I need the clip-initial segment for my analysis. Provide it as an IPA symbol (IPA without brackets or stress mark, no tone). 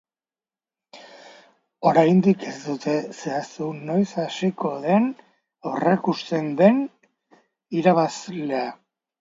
o̞